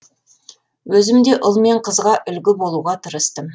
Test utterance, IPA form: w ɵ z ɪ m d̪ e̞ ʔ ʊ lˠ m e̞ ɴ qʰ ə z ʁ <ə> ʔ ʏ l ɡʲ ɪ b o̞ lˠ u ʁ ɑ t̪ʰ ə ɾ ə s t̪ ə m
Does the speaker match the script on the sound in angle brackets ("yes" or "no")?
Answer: no